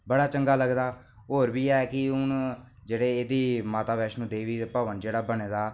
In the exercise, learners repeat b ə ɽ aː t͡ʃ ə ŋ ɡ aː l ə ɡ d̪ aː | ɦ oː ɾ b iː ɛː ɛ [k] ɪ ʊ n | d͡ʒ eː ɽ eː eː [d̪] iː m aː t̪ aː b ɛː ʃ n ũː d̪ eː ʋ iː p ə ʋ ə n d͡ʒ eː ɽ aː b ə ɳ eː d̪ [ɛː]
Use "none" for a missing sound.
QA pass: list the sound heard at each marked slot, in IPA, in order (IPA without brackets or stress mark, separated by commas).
k, d̪, aː